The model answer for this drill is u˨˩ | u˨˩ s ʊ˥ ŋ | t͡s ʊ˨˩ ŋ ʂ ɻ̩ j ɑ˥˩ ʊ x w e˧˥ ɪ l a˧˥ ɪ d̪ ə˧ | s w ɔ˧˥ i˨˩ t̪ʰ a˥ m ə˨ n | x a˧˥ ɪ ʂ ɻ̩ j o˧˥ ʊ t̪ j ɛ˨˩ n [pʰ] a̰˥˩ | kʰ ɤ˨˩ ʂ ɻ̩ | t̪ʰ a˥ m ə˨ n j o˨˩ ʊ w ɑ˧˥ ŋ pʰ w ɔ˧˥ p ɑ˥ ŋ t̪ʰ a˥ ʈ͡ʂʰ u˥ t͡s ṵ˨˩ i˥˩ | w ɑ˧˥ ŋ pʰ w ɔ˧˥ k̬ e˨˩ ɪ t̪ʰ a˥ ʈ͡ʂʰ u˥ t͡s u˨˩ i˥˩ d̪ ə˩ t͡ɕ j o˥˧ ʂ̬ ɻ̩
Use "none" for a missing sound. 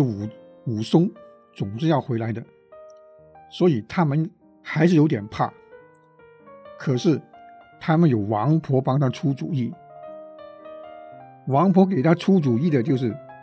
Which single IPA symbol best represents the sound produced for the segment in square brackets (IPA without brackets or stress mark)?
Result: pʰ